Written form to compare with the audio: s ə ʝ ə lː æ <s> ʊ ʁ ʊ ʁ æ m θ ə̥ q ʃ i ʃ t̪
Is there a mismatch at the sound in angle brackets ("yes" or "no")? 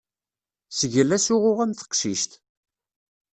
no